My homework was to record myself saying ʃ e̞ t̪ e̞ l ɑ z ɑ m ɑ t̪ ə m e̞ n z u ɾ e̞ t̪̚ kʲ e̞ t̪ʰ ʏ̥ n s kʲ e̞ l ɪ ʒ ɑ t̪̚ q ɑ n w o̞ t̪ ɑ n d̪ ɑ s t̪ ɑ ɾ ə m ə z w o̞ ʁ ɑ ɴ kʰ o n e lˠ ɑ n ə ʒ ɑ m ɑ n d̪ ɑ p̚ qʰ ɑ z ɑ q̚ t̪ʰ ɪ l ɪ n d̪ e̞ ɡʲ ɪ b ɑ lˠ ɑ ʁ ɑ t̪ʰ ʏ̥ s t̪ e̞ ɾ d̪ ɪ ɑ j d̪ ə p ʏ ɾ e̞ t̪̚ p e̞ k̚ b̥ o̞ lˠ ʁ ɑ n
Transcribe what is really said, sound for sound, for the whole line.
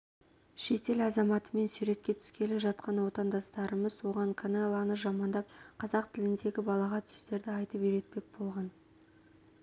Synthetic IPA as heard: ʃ e̞ t̪ e̞ l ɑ z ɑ m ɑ t̪ ə m e̞ n s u ɾ e̞ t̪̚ kʲ e̞ t̪ʰ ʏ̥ s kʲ e̞ l ɪ ʒ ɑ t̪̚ q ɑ n w o̞ t̪ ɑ n d̪ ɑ s t̪ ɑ ɾ ə m ə z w o̞ ʁ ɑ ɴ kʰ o n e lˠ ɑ n ə ʒ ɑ m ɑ n d̪ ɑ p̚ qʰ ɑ z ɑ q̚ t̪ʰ ɪ l ɪ n d̪ e̞ ɡʲ ɪ b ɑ lˠ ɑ ʁ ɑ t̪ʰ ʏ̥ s t̪ e̞ ɾ d̪ ɪ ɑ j t̪ ə p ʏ ɾ e̞ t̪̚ p e̞ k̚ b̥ o̞ lˠ ʁ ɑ n